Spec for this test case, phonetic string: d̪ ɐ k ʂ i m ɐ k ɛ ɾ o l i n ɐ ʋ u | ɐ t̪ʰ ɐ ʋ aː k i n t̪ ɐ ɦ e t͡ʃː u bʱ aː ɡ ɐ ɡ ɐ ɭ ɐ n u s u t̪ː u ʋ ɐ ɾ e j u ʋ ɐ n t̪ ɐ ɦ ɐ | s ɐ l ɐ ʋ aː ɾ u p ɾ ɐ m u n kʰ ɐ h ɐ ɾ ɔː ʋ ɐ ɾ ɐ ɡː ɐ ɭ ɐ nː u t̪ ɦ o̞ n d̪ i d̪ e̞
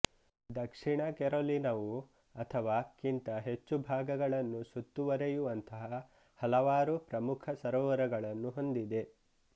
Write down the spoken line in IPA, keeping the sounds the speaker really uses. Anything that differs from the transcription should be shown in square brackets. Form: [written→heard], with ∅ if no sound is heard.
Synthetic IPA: d̪ ɐ k ʂ i [m→ɳ] ɐ k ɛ ɾ o l i n ɐ ʋ u | ɐ t̪ʰ ɐ ʋ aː k i n t̪ ɐ ɦ e t͡ʃː u bʱ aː ɡ ɐ ɡ ɐ ɭ ɐ [n→nː] u s u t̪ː u ʋ ɐ ɾ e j u ʋ ɐ n t̪ ɐ ɦ ɐ | [s→h] ɐ l ɐ ʋ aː ɾ u p ɾ ɐ m u [n→∅] kʰ ɐ [h→s] ɐ ɾ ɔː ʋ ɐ ɾ ɐ [ɡː→ɡ] ɐ ɭ ɐ nː u [t̪→∅] ɦ o̞ n d̪ i d̪ e̞

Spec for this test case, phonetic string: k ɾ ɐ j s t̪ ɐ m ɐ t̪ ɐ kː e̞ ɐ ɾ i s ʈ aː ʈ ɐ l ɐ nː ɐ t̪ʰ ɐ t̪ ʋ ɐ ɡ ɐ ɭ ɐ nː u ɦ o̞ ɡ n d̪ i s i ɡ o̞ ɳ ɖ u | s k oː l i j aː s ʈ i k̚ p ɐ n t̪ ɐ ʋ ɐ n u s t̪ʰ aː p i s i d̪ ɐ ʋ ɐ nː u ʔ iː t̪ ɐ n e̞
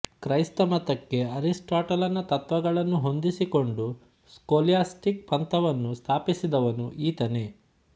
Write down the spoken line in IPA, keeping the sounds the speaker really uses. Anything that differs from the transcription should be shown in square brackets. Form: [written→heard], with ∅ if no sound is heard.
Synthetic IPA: k ɾ ɐ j s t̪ ɐ m ɐ t̪ ɐ kː e̞ ɐ ɾ i s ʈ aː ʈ ɐ l ɐ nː ɐ [t̪ʰ→t̪] ɐ t̪ ʋ ɐ ɡ ɐ ɭ ɐ nː u ɦ o̞ [ɡ→∅] n d̪ i s i [ɡ→k] o̞ ɳ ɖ u | s k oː l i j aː s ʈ i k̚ p ɐ n t̪ ɐ ʋ ɐ [n→nː] u s t̪ʰ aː p i s i d̪ ɐ ʋ ɐ [nː→n] u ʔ iː t̪ ɐ n e̞

